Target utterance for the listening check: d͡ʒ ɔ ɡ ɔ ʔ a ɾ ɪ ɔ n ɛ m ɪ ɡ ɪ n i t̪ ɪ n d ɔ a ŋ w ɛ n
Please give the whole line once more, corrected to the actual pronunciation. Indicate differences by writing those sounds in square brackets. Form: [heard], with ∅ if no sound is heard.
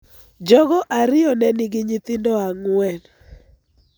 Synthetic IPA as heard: d͡ʒ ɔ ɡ ɔ ʔ a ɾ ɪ ɔ n ɛ [n] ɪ ɡ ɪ [ɲ] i t̪ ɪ n d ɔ a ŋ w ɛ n